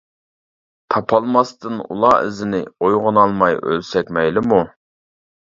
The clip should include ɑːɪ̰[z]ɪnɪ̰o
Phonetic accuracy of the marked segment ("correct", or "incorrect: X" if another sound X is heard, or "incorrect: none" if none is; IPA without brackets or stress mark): correct